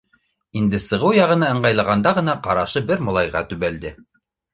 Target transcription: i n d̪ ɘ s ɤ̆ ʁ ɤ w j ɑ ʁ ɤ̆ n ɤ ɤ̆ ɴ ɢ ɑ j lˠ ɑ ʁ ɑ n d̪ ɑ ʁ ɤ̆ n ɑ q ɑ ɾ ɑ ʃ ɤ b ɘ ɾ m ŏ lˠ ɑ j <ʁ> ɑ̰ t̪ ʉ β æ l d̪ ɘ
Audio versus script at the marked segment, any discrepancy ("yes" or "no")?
no